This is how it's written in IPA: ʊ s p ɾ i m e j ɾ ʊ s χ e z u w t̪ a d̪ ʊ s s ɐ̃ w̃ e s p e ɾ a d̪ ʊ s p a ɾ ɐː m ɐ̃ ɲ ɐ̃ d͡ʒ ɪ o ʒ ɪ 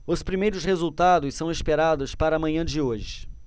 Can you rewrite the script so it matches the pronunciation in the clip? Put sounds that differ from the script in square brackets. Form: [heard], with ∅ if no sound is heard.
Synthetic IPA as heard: ʊ s p ɾ i m e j ɾ ʊ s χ e z u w t̪ a d̪ ʊ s s ɐ̃ w̃ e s p e ɾ a d̪ ʊ s p a ɾ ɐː m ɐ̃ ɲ ɐ̃ d͡ʒ ɪ o ʒ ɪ